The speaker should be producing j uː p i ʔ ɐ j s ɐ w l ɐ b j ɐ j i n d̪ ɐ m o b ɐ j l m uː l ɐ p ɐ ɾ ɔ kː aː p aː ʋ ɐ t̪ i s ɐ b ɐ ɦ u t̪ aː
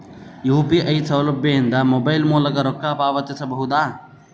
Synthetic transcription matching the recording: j uː p i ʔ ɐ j s ɐ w l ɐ b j ɐ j i n d̪ ɐ m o b ɐ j l m uː l ɐ k ɐ ɾ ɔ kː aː p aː ʋ ɐ t̪ i s ɐ b ɐ ɦ u d̪ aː